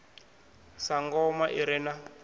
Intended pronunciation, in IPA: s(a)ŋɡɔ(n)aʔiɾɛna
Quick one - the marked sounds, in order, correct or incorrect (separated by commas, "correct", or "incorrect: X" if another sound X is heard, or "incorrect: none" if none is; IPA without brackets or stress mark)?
correct, incorrect: m